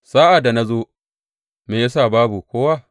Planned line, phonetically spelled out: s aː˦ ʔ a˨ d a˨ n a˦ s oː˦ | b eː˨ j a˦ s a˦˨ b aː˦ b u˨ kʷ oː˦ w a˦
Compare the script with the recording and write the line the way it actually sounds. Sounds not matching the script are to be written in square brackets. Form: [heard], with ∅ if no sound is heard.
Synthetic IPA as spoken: s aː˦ ʔ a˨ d a˨ n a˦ [z] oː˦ | [m] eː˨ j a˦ s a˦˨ b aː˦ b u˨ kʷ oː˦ w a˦

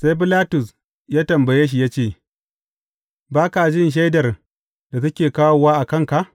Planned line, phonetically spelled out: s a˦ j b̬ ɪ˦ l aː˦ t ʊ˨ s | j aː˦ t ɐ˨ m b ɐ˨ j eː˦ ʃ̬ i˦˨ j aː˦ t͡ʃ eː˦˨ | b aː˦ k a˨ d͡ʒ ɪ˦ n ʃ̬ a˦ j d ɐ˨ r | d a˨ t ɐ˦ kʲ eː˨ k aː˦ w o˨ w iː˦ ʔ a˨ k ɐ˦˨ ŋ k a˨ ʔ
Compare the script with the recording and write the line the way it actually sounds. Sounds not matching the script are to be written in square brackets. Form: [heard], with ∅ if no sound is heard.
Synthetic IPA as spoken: s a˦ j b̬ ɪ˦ l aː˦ t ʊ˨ s | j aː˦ t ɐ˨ m b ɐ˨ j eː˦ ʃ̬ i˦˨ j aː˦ t͡ʃ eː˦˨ | b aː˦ k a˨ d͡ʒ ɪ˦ n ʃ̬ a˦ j d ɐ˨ r | d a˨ t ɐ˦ kʲ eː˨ k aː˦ w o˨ w [aː˦] ʔ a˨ k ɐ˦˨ ŋ k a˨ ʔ

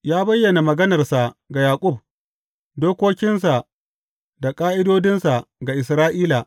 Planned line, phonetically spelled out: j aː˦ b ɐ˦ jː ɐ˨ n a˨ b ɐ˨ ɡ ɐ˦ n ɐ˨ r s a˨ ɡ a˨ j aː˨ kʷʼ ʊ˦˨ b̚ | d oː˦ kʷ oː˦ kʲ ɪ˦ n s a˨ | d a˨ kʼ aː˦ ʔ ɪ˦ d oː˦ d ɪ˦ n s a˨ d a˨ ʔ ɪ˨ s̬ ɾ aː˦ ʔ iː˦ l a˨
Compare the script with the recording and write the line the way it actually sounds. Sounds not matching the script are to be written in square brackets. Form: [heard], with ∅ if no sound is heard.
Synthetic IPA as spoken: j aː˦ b ɐ˦ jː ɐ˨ n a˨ [m] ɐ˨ ɡ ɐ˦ n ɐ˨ r s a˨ ɡ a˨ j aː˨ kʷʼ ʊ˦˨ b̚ | d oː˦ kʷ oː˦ kʲ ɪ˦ n s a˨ | d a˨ kʼ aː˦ ʔ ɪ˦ d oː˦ d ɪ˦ n s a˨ [ɡ] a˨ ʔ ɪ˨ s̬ ɾ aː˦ ʔ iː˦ l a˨

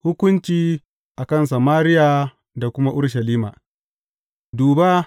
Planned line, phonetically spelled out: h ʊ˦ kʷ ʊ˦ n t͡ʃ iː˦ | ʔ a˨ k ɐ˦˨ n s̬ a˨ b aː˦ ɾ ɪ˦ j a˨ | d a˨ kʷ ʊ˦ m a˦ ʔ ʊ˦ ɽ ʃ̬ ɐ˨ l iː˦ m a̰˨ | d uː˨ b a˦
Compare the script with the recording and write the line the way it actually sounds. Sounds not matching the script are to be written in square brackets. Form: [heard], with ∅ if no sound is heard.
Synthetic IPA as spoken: h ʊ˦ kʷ ʊ˦ n t͡ʃ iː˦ | ʔ a˨ k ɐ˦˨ n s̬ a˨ [m] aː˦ ɾ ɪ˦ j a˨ | d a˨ kʷ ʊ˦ m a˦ ʔ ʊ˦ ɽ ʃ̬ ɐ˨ l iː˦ m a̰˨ | d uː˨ b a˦

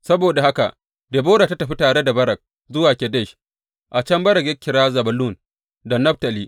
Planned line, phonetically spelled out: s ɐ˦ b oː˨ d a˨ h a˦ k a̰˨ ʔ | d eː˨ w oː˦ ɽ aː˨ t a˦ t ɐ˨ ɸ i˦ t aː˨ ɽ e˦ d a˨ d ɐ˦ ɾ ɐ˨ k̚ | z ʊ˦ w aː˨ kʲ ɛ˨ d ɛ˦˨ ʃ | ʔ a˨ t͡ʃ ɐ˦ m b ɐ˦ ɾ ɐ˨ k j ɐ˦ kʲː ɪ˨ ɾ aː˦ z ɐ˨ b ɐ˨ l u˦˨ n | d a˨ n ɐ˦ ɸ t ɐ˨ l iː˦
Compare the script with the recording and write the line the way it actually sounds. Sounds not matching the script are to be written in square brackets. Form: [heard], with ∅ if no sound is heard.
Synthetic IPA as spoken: s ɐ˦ b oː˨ d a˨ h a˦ k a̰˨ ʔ | d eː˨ [b] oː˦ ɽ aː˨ t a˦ t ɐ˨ ɸ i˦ t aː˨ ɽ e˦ d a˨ [b] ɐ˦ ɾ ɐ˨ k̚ | z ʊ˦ w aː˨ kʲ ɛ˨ d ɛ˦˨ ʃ | ʔ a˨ t͡ʃ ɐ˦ m b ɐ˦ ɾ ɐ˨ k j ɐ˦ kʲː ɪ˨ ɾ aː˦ z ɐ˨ b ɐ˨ l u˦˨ n | d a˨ n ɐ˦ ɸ t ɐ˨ l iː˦

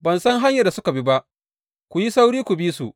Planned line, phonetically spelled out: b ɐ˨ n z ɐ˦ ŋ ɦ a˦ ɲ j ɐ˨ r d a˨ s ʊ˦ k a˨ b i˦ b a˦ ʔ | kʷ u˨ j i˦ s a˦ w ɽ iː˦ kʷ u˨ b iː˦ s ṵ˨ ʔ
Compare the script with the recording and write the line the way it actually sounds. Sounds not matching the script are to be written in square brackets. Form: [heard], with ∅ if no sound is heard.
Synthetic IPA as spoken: b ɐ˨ n [s] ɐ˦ ŋ ɦ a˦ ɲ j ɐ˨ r d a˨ s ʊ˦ k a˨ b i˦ b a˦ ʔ | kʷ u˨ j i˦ s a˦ w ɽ iː˦ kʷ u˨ b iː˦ s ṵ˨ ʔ

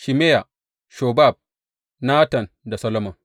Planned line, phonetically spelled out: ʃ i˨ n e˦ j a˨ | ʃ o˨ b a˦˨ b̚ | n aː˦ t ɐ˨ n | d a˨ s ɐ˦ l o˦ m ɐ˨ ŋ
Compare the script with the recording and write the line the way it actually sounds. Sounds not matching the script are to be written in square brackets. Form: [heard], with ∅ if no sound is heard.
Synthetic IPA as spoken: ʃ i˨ [m] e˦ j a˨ | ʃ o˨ b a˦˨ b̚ | n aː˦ t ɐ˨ n | d a˨ s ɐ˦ l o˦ m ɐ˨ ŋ

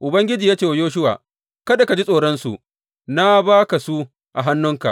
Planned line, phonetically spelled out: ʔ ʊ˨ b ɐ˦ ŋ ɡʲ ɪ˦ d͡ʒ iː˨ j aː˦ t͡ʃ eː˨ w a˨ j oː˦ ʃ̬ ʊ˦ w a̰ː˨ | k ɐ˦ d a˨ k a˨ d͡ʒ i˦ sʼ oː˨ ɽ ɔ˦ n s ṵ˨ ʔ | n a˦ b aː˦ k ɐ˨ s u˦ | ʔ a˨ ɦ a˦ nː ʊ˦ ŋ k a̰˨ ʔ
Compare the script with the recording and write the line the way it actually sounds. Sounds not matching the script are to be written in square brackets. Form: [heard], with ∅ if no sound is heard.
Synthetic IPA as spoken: ʔ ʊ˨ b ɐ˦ ŋ ɡʲ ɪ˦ d͡ʒ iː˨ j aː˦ t͡ʃ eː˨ w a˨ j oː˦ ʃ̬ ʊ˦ w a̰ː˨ | k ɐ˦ d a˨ k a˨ d͡ʒ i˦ sʼ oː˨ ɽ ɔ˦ n s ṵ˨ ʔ | n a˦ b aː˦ k [a˨] s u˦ | ʔ a˨ ɦ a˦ nː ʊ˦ ŋ k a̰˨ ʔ

